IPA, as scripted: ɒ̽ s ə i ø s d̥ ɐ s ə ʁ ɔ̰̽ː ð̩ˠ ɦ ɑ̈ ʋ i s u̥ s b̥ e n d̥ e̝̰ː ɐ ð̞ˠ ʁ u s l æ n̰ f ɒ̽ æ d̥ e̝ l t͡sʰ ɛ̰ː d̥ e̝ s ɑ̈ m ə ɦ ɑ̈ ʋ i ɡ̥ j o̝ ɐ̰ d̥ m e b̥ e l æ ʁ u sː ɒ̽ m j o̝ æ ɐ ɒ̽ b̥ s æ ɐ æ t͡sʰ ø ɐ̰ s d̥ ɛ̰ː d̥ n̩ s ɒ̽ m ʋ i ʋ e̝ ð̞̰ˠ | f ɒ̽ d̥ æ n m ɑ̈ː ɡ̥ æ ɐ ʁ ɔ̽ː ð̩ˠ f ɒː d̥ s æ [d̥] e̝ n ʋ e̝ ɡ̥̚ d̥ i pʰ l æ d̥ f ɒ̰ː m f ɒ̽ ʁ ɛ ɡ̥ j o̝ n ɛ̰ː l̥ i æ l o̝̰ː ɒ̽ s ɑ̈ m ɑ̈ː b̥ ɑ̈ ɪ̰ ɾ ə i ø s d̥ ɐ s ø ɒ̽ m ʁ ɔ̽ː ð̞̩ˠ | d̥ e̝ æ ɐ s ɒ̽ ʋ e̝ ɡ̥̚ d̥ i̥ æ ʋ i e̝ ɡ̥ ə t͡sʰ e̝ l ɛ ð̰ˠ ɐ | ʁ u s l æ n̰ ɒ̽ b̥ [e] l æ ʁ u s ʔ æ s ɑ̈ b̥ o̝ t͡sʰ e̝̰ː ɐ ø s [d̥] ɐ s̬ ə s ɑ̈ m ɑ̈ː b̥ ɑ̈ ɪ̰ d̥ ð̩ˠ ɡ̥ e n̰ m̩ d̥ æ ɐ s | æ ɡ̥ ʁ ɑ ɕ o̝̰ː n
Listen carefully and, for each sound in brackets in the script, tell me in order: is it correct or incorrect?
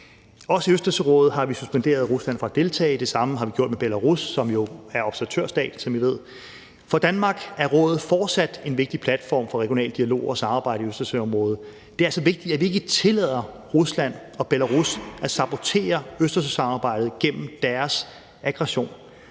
correct, correct, correct

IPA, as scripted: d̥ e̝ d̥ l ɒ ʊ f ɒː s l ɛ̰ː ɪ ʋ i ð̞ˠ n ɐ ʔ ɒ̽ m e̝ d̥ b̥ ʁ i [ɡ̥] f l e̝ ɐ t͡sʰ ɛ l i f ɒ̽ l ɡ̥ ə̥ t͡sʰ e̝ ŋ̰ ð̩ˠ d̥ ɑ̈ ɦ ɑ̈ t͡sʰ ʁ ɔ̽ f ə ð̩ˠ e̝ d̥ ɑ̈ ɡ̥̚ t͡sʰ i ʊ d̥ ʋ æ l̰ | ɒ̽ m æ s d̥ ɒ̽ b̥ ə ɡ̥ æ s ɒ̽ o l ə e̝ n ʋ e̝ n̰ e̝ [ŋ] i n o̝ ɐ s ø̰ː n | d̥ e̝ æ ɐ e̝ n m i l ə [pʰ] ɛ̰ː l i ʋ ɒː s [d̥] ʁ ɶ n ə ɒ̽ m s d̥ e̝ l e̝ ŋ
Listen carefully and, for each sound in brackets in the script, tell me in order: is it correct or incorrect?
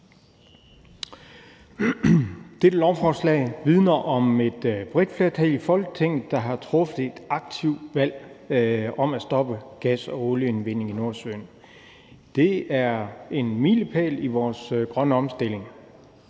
incorrect: d̥, correct, correct, incorrect: ɡ̥

